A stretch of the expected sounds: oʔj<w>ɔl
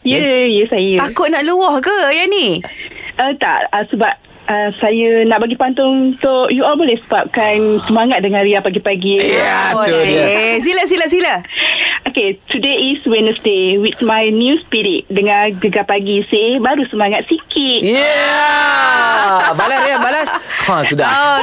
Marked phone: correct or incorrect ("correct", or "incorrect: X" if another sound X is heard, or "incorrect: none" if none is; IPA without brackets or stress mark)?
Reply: incorrect: u